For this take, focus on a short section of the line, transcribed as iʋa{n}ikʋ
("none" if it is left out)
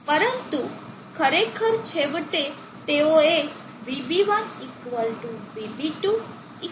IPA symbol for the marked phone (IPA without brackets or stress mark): n